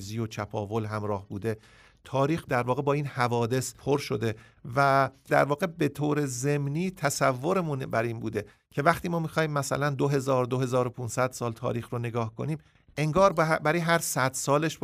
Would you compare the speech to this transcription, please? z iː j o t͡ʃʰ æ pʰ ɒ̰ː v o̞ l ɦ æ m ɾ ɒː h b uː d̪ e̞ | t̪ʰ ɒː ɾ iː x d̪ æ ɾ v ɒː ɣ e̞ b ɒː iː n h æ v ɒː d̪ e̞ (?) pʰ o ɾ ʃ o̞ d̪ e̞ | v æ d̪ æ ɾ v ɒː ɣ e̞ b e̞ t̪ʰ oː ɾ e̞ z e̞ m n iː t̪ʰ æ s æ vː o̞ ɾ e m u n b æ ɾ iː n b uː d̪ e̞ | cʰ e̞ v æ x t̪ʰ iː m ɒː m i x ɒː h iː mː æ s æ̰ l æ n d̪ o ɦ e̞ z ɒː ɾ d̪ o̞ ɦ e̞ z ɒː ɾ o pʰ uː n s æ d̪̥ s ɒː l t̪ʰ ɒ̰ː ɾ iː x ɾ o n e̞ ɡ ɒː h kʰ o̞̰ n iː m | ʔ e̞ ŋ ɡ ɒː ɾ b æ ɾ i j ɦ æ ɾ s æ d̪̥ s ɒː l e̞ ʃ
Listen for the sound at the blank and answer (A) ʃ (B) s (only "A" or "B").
B